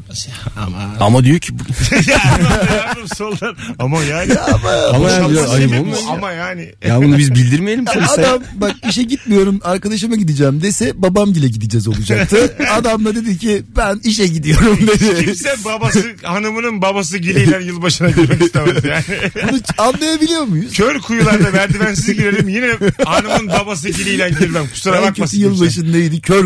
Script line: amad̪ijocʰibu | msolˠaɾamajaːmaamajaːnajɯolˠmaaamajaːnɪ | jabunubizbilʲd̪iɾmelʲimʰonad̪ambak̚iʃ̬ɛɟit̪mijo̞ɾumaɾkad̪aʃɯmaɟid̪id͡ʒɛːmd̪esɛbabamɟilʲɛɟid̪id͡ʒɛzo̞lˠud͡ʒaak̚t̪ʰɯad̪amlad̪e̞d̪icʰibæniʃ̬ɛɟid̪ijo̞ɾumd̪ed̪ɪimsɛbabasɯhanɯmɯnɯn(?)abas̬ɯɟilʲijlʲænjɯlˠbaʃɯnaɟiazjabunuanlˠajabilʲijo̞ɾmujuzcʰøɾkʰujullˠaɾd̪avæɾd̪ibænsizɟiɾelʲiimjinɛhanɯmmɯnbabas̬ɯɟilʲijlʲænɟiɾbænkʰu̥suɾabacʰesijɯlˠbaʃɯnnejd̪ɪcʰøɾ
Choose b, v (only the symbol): b